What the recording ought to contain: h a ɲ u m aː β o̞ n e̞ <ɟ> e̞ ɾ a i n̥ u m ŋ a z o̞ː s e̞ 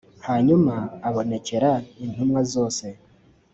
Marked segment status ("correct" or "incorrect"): incorrect